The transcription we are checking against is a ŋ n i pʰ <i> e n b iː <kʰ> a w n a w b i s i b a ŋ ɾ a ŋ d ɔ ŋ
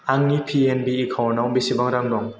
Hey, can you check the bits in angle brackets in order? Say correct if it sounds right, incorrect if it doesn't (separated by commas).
correct, correct